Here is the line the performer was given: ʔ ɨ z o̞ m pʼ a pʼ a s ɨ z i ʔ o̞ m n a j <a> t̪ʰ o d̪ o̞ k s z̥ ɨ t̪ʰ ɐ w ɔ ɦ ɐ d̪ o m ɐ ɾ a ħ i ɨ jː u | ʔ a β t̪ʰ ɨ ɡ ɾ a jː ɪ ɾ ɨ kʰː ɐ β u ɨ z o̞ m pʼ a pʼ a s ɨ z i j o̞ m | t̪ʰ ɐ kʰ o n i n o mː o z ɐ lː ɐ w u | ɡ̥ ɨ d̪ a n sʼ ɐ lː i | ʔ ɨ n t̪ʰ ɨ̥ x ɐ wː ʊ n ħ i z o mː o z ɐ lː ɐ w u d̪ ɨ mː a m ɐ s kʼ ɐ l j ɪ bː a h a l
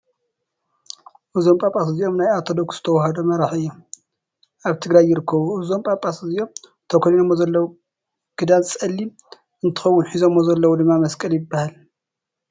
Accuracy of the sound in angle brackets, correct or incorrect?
correct